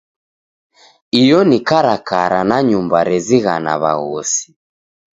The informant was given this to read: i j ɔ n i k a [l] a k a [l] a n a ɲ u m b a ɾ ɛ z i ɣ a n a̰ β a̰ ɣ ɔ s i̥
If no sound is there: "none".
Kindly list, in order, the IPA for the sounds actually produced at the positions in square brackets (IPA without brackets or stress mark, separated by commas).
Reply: ɾ, ɾ